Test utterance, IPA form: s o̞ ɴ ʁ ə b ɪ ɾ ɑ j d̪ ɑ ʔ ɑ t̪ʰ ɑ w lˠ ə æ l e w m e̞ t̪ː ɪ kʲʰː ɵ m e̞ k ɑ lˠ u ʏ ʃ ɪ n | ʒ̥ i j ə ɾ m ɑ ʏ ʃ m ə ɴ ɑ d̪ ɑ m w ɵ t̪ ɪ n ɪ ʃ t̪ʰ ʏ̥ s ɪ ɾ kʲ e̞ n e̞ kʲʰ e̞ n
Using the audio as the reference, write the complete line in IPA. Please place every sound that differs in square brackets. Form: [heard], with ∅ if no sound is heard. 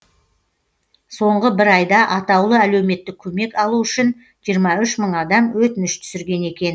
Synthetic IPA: s o̞ ɴ ʁ ə b ɪ ɾ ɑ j d̪ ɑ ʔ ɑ [t̪] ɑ w lˠ ə æ l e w m e̞ t̪ː ɪ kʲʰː ɵ m e̞ k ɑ lˠ u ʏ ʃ ɪ n | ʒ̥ i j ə ɾ m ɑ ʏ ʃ m ə ɴ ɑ d̪ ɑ m w ɵ t̪ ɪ n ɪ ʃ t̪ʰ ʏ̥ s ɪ ɾ [ɡʲ] e̞ n e̞ [kʲ] e̞ n